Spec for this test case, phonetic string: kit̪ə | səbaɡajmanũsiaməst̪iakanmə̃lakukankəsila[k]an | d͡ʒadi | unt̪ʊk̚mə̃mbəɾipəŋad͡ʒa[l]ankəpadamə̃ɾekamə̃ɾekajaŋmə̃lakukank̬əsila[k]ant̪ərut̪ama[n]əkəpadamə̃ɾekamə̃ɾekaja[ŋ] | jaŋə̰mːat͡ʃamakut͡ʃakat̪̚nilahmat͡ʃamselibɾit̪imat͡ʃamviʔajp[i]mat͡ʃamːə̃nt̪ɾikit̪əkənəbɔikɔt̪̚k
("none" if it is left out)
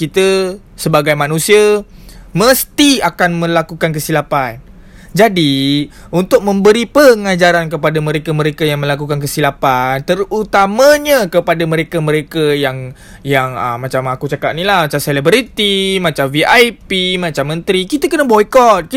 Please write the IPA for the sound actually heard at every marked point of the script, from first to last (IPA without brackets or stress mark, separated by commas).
p, ɾ, p, ɲ, ŋ, i